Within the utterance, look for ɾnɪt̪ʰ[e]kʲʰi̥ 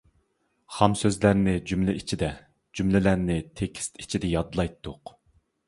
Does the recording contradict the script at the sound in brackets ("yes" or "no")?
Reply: no